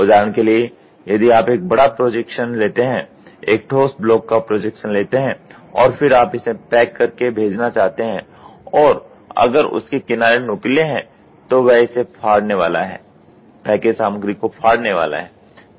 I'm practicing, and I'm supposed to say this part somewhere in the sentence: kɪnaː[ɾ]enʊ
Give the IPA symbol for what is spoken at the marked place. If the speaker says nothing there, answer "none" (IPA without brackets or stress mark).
ɾ